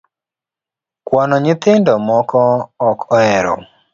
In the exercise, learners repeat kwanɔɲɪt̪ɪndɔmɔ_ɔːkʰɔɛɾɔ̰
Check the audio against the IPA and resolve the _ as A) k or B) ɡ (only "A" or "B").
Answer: A